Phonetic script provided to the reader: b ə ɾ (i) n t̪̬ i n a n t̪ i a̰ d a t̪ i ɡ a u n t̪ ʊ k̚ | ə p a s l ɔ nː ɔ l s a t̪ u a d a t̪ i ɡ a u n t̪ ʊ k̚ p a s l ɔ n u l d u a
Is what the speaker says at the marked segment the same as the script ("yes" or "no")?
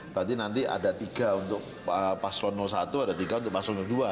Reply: no